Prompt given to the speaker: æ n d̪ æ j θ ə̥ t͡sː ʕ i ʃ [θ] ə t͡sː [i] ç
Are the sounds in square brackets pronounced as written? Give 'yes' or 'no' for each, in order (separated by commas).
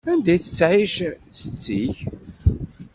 no, yes